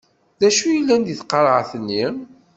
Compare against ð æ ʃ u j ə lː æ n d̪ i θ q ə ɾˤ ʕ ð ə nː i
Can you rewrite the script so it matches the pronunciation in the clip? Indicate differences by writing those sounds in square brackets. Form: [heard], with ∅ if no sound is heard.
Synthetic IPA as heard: ð æ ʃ u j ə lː æ n d̪ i θ q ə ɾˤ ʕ [θ] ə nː i

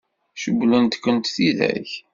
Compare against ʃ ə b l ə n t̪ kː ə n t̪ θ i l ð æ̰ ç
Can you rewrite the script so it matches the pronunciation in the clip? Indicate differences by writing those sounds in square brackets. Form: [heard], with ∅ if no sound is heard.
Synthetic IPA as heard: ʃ ə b l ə n t̪ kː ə n t̪ θ i [∅] ð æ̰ ç

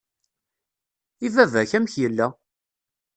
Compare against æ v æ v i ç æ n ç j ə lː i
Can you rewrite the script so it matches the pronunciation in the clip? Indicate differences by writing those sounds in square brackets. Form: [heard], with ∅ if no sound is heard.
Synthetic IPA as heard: [i] v æ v [æ] ç æ [m] ç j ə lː [æ]

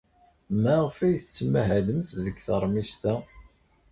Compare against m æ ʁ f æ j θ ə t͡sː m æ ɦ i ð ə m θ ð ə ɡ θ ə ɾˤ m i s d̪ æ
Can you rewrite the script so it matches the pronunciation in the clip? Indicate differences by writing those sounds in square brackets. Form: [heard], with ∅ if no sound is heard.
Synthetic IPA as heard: m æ ʁ f æ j θ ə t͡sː m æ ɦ [æ] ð ə m θ ð ə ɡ θ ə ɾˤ m i s [t̪] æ

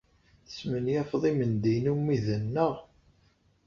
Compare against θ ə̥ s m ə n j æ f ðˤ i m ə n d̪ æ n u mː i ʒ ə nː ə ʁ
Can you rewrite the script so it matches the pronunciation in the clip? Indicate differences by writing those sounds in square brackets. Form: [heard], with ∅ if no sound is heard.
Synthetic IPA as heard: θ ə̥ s m ə n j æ f ðˤ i m ə n d̪ [i] n u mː i [ð] ə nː ə ʁ

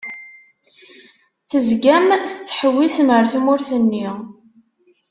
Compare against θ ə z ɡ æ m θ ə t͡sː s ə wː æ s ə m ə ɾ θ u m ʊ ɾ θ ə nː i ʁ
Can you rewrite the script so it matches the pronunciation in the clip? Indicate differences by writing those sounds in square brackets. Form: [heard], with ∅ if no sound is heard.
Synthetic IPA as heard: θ ə z ɡ æ m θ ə t͡sː [ħ] ə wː [i] s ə m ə ɾ θ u m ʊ ɾ θ ə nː i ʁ

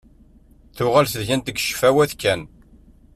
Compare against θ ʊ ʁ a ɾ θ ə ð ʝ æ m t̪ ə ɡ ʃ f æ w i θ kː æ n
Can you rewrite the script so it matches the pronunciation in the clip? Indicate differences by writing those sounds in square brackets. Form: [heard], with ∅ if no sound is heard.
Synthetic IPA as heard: θ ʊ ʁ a [l] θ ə ð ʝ æ [n] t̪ ə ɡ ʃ f æ w [æ] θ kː æ n

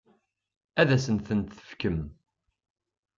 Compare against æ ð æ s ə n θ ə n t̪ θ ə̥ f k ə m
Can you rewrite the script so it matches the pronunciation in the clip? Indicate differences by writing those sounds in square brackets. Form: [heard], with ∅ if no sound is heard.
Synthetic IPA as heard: æ ð æ s ə n θ ə n t̪ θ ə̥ f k ə m

